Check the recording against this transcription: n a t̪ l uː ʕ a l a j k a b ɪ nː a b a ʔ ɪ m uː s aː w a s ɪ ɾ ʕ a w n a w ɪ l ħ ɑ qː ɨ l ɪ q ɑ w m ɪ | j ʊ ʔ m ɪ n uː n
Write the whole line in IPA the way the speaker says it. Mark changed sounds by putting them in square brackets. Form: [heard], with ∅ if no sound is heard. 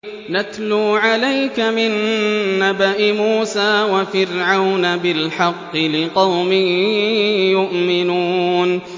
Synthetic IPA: n a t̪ l uː ʕ a l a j k a [m] ɪ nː a b a ʔ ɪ m uː s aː w a [f] ɪ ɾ ʕ a w n a [b] ɪ l ħ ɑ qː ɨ l ɪ q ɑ w m ɪ | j ʊ ʔ m ɪ n uː n